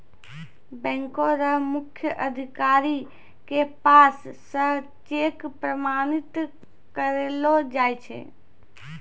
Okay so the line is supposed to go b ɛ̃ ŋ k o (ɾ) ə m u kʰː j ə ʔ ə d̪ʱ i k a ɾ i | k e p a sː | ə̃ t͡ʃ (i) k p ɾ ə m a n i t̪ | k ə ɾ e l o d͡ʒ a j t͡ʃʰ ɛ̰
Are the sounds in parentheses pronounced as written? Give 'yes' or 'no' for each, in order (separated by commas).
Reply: yes, no